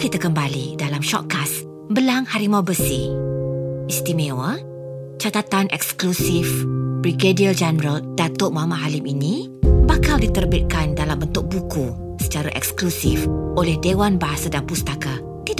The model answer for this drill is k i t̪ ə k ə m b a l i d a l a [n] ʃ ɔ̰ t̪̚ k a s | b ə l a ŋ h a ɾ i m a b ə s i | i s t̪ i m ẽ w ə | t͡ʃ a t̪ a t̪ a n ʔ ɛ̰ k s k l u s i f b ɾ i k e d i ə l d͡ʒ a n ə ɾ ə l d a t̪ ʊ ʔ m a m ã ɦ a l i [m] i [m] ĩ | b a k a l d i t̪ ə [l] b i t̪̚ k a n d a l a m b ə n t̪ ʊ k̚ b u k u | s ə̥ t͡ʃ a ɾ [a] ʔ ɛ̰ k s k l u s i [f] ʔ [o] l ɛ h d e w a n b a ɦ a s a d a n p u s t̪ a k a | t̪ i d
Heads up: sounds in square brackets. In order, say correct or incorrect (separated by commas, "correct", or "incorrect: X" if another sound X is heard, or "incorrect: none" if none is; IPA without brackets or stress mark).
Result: incorrect: m, correct, incorrect: n, incorrect: r, correct, correct, correct